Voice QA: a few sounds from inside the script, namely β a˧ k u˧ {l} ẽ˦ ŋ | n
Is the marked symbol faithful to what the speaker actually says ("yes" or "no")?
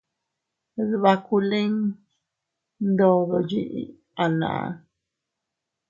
yes